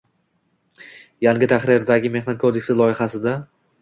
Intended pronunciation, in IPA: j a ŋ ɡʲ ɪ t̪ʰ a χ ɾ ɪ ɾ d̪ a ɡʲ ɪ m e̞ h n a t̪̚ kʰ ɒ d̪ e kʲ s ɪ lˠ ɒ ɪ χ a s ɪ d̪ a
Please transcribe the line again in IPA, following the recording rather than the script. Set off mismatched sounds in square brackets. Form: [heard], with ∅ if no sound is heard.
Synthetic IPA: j a ŋ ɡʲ ɪ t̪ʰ a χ ɾ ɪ ɾ d̪ a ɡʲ ɪ m e̞ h n a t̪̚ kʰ [o] d̪ e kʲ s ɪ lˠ ɒ ɪ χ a s ɪ d̪ a